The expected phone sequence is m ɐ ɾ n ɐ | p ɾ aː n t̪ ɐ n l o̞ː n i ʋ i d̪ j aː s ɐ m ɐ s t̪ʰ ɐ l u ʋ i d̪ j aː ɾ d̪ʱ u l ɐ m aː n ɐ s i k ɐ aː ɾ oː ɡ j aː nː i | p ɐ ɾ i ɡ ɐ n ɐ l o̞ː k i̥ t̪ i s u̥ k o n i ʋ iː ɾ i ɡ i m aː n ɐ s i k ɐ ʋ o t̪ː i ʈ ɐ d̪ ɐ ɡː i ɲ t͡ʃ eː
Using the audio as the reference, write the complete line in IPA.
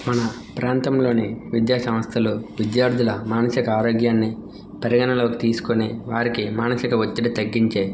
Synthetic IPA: m ɐ n ɐ | p ɾ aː n t̪ ɐ m l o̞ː n i ʋ i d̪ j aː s ɐ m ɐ s t̪ʰ ɐ l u ʋ i d̪ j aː ɾ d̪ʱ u l ɐ m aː n ɐ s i k ɐ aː ɾ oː ɡ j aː nː i | p ɐ ɾ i ɡ ɐ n ɐ l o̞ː k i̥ t̪ iː s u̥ k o n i ʋ aː ɾ i k i m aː n ɐ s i k ɐ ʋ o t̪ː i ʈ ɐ t̪ ɐ ɡː i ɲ t͡ʃ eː